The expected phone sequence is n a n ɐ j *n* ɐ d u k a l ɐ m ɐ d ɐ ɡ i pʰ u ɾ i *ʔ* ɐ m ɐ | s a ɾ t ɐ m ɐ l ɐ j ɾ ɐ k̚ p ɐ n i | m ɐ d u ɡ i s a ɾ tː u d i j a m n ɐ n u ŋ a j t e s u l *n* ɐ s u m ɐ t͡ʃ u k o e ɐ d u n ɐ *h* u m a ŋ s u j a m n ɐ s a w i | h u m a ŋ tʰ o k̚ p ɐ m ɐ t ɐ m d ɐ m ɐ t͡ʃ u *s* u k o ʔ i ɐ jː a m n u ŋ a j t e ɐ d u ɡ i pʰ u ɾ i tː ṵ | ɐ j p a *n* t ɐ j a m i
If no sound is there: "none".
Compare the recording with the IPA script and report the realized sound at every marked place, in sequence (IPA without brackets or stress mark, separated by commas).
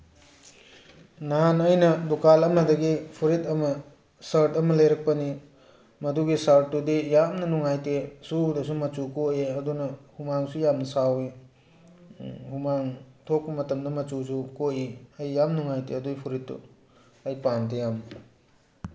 n, t, d, h, s, n